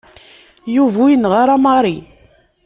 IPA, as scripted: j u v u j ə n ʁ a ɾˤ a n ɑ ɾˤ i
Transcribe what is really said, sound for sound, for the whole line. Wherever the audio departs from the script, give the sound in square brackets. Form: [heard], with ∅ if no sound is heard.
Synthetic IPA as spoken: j u v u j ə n ʁ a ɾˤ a [m] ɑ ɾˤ i